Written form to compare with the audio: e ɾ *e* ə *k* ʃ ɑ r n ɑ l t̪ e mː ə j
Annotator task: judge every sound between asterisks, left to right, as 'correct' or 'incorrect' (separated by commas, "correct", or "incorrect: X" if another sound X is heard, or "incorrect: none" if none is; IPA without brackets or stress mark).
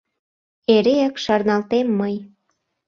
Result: correct, correct